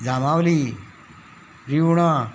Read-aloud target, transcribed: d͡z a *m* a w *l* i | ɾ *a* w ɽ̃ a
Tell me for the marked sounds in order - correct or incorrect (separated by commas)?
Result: correct, correct, incorrect